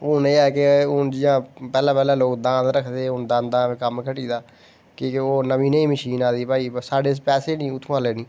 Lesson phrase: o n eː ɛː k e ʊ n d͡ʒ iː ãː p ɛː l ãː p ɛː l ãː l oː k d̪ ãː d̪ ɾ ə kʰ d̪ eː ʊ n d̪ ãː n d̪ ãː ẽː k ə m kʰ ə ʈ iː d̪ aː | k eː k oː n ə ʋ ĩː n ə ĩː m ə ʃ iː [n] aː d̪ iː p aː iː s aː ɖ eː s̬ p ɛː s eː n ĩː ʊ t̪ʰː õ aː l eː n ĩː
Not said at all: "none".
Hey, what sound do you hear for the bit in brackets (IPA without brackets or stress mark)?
n